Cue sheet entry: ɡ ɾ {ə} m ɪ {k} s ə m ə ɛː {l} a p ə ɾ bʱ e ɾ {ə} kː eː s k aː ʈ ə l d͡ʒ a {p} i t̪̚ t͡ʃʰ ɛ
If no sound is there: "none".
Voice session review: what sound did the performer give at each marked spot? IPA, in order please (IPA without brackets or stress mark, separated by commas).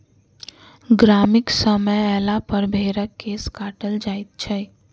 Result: a, k, l, ə, none